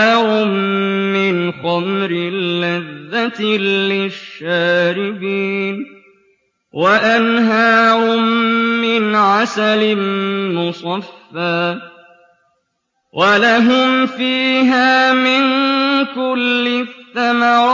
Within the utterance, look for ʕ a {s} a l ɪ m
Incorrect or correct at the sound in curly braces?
correct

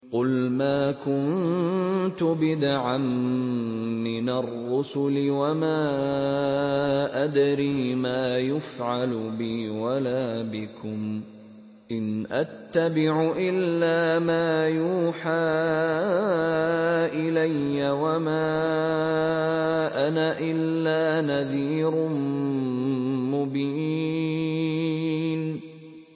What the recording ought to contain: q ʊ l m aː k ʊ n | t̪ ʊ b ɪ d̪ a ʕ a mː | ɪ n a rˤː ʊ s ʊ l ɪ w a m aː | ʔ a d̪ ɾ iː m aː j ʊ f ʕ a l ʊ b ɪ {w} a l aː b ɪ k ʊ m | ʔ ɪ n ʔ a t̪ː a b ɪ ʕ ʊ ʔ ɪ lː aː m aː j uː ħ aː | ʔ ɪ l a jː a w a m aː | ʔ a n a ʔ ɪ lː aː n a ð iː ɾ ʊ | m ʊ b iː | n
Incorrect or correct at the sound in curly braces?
correct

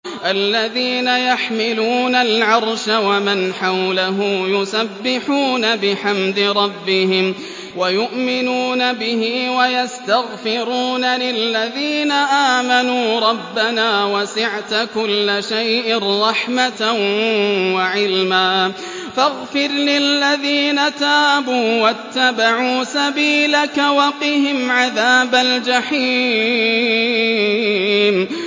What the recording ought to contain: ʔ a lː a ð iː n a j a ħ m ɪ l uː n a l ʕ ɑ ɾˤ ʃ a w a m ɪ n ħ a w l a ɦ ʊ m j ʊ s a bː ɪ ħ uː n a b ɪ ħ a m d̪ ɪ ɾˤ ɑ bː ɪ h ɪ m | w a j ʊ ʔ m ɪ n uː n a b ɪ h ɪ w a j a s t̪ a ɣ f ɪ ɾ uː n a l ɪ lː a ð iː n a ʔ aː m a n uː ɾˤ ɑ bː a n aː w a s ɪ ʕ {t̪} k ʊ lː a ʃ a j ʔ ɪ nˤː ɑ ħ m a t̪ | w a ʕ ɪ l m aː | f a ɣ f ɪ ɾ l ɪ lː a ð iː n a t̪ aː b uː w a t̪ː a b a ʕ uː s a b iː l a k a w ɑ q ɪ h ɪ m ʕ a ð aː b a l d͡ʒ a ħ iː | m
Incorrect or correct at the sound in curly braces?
correct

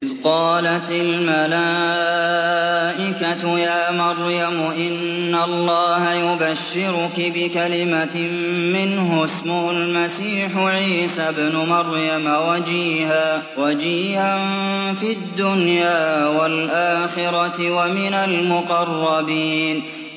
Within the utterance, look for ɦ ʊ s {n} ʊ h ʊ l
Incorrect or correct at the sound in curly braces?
incorrect: m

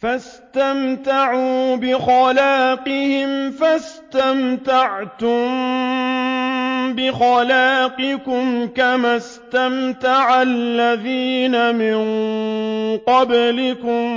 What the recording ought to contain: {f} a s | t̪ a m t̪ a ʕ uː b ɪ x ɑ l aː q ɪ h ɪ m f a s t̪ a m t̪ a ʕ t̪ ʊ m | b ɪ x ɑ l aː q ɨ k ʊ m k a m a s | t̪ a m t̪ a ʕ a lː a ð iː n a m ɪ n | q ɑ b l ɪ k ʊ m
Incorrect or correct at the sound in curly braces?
correct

